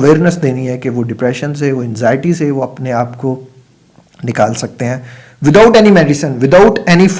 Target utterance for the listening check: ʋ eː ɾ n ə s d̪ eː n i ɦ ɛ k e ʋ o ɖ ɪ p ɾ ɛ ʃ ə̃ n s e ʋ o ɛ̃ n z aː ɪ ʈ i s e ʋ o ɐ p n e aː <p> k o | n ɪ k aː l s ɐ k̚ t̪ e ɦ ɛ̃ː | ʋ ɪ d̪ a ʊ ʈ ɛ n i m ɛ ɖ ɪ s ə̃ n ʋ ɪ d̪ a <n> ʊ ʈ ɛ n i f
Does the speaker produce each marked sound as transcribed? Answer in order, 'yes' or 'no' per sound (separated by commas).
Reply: yes, no